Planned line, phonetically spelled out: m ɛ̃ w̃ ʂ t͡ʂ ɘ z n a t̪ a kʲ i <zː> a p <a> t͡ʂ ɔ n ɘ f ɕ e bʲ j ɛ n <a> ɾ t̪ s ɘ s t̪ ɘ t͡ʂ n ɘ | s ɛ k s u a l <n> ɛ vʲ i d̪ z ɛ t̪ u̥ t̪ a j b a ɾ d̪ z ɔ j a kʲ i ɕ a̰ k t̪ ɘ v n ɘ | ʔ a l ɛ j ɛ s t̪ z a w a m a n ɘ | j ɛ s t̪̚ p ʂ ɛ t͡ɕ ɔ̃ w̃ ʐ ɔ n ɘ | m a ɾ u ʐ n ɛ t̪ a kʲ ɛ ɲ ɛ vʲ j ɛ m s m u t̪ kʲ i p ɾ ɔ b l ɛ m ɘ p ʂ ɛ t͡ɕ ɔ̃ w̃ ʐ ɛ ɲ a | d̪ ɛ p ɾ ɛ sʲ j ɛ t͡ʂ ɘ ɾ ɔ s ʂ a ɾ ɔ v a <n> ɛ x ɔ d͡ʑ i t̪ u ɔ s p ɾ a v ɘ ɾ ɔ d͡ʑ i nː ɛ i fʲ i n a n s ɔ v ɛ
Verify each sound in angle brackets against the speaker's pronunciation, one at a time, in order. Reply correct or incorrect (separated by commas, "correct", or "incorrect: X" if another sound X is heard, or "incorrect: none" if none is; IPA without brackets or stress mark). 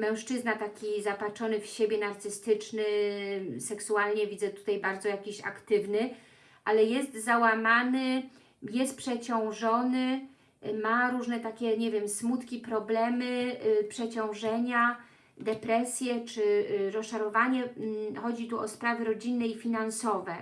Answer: incorrect: z, correct, correct, incorrect: ɲ, incorrect: ɲ